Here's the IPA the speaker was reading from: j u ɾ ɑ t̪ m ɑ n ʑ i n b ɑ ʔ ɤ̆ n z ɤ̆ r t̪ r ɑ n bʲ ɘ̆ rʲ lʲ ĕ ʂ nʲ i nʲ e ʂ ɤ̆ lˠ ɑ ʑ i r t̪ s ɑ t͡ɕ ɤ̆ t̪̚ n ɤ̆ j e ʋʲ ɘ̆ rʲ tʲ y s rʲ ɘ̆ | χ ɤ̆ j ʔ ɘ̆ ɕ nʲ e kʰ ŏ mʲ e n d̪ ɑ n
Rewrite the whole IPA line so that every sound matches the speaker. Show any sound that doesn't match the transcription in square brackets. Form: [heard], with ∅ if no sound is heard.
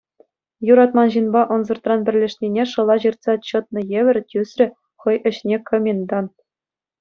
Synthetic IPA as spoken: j u ɾ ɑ t̪ m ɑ n ʑ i n b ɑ ʔ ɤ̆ n z ɤ̆ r t̪ r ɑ n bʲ ɘ̆ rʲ lʲ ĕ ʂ nʲ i nʲ e ʂ ɤ̆ lˠ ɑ ʑ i r t̪ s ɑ t͡ɕ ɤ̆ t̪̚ n ɤ̆ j e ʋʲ ɘ̆ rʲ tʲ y s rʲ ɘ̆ | χ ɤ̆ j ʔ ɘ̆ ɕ nʲ e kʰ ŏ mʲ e n d̪ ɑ n